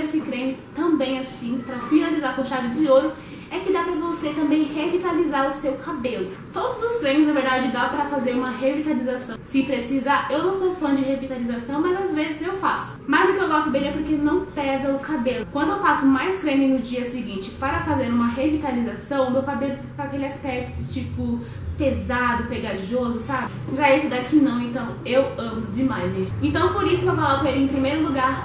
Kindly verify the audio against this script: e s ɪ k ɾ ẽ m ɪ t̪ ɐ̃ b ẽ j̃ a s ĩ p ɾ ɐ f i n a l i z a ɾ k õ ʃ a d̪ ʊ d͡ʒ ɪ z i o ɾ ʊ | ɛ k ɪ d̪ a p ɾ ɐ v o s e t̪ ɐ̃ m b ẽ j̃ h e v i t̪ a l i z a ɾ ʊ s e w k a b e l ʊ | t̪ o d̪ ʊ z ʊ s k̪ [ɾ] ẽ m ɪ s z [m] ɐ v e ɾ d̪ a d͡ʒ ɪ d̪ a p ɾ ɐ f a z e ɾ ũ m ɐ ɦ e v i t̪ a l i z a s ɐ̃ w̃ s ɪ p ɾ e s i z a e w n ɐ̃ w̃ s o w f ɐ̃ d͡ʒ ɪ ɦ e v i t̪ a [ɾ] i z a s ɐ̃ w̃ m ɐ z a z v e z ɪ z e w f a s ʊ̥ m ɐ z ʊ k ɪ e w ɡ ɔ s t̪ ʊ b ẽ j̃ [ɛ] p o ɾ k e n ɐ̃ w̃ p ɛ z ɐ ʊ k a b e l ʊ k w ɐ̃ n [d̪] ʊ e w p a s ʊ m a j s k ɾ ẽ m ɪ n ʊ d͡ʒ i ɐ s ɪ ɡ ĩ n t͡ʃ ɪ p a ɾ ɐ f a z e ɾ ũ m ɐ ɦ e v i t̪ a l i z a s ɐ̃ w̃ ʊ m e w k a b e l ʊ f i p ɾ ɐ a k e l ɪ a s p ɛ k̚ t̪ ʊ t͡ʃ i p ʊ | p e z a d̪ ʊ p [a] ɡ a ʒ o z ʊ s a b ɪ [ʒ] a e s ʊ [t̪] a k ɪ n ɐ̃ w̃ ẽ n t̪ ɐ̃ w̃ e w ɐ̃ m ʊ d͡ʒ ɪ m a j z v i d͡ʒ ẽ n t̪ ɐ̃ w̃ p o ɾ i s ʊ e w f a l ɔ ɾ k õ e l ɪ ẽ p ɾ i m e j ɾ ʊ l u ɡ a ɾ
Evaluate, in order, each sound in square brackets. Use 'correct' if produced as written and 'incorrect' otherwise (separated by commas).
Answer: correct, incorrect, incorrect, correct, correct, incorrect, correct, incorrect